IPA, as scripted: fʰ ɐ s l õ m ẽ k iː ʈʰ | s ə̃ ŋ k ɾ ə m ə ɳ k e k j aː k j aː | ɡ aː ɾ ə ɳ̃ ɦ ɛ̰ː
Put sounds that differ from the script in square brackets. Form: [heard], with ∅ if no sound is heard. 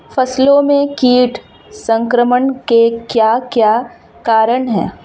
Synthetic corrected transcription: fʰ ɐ s l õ m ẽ k iː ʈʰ | s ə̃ ŋ k ɾ ə m ə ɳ k e k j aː k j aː | [k] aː ɾ ə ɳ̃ ɦ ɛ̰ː